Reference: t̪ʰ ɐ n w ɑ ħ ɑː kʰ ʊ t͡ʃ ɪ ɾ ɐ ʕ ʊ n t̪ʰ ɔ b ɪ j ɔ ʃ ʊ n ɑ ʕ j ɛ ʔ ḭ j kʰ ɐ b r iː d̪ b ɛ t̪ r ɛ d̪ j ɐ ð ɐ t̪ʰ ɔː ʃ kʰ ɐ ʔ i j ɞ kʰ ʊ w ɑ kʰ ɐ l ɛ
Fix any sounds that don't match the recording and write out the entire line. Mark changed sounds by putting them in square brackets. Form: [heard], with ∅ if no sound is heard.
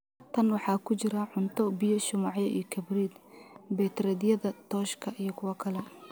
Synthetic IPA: t̪ʰ ɐ n w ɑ ħ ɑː kʰ ʊ t͡ʃ ɪ ɾ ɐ ʕ ʊ n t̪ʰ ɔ b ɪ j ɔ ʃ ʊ [m] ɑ ʕ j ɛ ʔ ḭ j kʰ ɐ b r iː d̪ b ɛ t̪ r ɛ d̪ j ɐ ð ɐ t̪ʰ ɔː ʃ kʰ ɐ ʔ i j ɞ kʰ ʊ w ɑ kʰ ɐ l ɛ